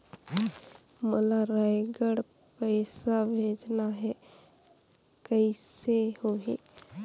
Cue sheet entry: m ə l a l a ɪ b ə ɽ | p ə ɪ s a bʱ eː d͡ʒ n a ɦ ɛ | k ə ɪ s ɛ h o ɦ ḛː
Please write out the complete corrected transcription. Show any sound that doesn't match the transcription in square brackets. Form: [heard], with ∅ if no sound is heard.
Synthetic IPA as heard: m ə l a [ɾ] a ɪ [ɡ] ə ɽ | p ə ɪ s a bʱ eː d͡ʒ n a ɦ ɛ | k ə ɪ s [e] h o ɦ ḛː